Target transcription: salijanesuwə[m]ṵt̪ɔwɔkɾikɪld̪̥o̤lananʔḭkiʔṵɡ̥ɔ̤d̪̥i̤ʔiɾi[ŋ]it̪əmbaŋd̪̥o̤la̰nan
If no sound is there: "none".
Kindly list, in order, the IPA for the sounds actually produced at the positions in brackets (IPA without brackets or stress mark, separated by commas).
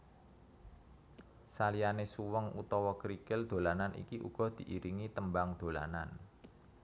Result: ŋ, ŋ